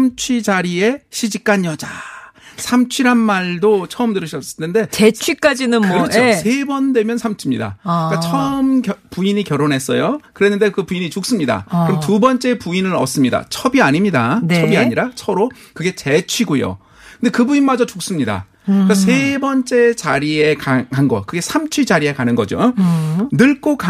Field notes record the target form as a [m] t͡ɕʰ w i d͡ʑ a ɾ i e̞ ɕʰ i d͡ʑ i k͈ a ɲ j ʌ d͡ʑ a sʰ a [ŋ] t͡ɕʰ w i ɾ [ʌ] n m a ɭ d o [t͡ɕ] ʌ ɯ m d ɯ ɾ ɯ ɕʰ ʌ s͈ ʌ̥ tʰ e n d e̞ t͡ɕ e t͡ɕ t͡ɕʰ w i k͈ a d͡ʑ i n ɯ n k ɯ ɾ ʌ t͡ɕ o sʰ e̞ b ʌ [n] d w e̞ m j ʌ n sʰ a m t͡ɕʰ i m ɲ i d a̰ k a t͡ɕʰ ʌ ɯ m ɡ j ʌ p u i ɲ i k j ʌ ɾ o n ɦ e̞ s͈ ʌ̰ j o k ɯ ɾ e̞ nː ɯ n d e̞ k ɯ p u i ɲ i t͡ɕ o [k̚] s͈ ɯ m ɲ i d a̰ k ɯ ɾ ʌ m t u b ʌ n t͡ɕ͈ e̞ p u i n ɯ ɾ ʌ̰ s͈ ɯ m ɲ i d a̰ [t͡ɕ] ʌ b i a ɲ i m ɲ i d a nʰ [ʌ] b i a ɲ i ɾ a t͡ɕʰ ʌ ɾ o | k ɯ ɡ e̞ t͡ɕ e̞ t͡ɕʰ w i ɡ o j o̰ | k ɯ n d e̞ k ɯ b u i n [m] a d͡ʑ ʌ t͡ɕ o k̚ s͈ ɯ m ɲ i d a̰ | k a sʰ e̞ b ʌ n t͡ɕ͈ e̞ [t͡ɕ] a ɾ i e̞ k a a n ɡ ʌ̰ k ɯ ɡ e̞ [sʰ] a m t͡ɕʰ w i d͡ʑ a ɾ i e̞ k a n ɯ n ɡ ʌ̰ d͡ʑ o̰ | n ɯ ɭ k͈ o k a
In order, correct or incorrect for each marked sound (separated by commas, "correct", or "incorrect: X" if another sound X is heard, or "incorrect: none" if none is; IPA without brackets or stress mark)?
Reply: correct, incorrect: m, incorrect: a, incorrect: t͡ɕʰ, correct, correct, incorrect: t͡ɕʰ, correct, correct, correct, correct